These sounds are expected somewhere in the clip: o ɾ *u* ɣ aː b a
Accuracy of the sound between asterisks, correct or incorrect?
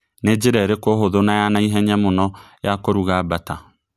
correct